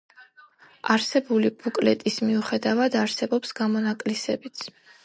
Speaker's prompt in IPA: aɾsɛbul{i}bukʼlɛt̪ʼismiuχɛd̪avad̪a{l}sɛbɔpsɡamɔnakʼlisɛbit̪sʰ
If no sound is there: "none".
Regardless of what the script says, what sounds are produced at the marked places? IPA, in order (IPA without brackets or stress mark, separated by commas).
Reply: i, ɾ